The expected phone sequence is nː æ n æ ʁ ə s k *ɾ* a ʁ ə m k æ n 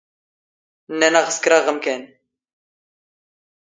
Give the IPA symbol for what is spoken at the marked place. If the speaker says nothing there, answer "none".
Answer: ɾ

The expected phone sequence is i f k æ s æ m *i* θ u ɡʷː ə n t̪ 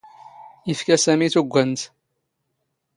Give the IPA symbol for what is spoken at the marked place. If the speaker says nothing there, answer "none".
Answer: i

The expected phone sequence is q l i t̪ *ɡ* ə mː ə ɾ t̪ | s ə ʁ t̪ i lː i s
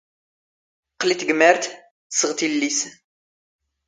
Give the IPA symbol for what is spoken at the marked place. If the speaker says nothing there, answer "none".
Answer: ɡ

